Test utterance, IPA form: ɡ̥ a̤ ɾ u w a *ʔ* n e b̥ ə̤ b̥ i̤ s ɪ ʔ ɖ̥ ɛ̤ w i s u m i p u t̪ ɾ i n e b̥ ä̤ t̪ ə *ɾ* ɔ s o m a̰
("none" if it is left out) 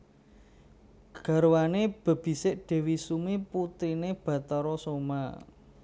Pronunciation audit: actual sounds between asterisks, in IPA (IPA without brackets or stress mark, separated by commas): none, ɾ